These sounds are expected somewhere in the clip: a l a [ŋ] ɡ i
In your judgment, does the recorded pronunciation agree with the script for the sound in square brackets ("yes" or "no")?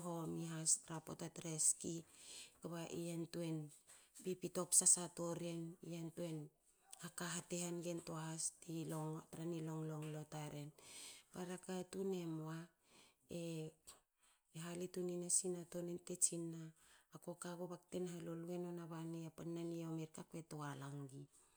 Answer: yes